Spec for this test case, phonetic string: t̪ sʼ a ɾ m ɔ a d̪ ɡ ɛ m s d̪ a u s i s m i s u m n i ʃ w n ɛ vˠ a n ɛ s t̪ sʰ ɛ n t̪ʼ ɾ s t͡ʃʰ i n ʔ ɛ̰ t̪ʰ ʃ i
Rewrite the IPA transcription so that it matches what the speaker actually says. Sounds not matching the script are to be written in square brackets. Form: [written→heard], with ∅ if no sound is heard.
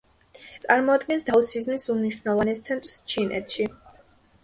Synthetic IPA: t̪ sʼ a ɾ m ɔ a d̪ ɡ ɛ [m→n] s d̪ a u s i [s→z] m i s u m n i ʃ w n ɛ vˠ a n ɛ s t̪ sʰ ɛ n t̪ʼ ɾ s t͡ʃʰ i n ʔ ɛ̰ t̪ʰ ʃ i